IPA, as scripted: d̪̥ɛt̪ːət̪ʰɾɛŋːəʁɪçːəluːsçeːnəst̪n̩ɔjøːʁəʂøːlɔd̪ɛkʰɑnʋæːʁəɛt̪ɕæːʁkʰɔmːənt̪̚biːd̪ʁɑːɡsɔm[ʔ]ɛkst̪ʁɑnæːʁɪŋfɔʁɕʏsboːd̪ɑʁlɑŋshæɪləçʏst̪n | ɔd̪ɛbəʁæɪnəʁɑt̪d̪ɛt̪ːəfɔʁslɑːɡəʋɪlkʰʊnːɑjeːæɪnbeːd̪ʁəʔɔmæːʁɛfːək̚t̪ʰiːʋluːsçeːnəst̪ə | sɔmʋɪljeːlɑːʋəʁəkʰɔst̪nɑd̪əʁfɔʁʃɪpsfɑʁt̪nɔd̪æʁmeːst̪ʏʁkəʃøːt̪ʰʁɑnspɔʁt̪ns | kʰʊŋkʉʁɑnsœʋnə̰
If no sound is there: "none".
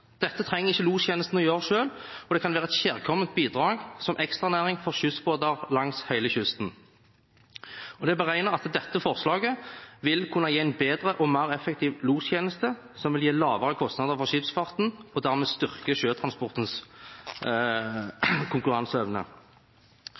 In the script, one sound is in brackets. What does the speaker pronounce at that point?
ʔ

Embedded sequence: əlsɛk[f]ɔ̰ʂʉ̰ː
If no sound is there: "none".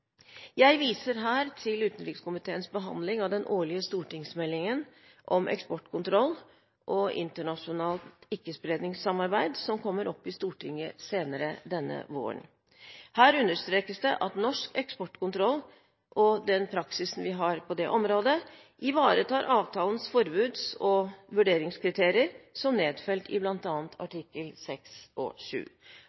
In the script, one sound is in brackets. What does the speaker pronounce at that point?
s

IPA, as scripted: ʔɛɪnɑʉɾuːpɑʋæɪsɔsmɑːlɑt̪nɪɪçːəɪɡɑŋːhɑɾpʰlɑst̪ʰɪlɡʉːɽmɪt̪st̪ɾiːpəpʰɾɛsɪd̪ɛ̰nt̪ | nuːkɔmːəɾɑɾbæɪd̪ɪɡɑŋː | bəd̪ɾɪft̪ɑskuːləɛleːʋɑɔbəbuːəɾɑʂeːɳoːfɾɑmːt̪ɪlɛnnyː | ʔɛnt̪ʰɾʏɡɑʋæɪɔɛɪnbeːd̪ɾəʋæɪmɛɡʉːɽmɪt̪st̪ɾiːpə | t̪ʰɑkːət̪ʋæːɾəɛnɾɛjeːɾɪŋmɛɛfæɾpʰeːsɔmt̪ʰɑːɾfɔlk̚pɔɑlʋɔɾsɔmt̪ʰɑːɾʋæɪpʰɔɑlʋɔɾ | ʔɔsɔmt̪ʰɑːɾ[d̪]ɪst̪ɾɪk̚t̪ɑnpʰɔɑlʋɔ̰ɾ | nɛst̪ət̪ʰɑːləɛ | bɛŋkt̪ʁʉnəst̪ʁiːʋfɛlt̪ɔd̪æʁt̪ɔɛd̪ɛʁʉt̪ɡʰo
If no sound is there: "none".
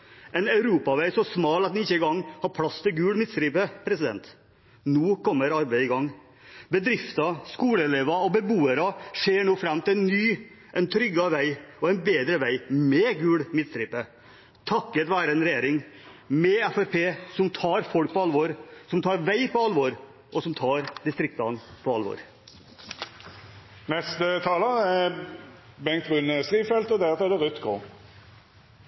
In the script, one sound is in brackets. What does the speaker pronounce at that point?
d̪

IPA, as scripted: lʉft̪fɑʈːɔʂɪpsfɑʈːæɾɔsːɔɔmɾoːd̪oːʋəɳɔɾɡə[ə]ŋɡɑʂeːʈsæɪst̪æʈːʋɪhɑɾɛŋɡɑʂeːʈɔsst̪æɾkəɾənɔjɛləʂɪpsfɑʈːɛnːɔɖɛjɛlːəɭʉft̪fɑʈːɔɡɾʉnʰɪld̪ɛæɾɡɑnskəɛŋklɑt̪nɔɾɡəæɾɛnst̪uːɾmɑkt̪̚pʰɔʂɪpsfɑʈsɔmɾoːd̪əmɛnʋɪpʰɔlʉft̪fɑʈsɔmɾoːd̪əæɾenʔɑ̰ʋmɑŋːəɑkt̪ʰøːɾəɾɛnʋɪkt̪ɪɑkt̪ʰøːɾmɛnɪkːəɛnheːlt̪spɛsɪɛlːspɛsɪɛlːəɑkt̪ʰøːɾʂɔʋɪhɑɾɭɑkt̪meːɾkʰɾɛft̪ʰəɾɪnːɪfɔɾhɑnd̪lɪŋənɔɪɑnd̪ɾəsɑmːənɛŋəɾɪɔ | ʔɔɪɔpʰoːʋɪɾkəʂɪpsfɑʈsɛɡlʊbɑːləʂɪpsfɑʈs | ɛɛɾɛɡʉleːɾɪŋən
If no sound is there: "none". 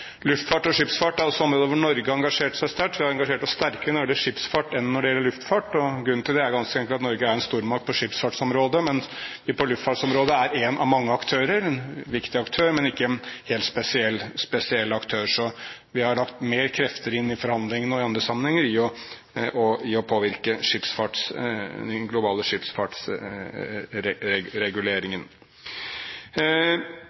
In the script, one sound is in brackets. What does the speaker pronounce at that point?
ɑ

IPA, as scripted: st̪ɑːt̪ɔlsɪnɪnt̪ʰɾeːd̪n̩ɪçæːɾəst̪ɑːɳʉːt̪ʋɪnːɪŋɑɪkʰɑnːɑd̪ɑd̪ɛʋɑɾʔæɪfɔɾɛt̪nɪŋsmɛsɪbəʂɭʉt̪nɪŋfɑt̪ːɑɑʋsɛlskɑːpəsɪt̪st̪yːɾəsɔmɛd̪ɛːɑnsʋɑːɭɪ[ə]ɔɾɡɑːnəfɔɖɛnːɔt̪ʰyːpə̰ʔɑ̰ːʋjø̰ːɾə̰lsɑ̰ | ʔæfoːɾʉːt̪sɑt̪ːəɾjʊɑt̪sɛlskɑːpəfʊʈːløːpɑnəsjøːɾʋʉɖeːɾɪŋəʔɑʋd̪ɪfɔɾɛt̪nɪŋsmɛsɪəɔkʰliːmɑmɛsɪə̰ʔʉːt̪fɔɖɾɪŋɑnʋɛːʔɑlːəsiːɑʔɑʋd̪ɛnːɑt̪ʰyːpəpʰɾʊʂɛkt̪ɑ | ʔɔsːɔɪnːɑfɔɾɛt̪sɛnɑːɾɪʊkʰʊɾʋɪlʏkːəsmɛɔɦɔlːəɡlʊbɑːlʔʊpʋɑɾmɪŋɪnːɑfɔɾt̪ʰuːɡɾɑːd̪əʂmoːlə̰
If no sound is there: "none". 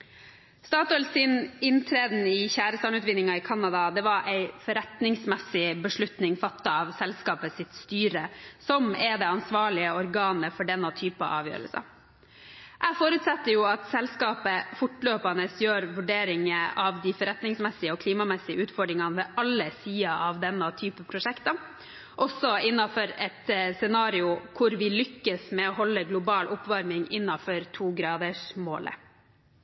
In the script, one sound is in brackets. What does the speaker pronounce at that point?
ə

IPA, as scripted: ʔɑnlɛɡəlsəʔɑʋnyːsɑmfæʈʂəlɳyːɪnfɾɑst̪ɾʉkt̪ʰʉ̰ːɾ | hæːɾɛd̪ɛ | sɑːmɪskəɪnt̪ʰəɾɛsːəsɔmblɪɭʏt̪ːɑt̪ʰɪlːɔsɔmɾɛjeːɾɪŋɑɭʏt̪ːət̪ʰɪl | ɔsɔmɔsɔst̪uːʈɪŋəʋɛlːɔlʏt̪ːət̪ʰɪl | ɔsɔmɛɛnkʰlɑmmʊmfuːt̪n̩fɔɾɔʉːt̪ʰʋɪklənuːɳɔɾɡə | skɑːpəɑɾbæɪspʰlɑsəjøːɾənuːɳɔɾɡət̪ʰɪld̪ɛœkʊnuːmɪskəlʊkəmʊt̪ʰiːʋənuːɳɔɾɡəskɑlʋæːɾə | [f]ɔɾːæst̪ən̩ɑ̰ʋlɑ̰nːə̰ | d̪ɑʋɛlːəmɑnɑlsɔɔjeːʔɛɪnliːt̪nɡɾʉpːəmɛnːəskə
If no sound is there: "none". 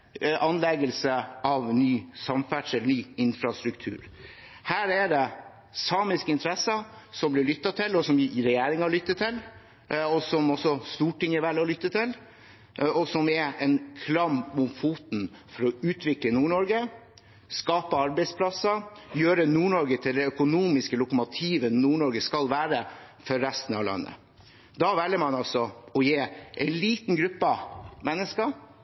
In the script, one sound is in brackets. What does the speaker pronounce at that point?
f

